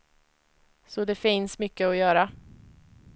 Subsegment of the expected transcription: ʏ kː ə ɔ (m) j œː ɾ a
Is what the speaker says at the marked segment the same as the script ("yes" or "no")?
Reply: no